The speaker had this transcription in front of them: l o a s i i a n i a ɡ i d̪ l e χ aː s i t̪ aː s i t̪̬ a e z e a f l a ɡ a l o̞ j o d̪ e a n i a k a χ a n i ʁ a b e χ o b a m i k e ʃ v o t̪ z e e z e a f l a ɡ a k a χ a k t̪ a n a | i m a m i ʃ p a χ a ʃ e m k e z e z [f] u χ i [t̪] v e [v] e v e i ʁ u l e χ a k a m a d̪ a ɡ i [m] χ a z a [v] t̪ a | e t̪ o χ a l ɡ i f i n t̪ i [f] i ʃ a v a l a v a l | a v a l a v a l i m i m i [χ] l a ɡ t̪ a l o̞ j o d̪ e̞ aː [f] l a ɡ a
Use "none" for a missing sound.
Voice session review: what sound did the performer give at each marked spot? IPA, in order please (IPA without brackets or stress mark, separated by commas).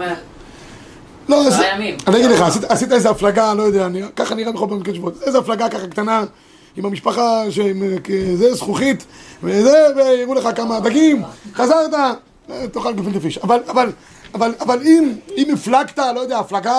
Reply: χ, t̪, z, m, ʁ, f, f, f